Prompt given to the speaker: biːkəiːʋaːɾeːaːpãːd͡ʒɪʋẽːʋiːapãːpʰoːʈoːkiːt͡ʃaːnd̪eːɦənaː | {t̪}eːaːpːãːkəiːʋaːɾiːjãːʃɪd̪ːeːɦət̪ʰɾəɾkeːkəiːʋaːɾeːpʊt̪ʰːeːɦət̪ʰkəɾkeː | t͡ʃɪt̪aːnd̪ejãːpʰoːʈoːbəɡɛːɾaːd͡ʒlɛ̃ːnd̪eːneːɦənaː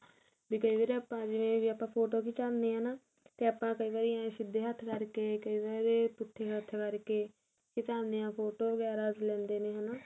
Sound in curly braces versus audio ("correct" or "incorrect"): correct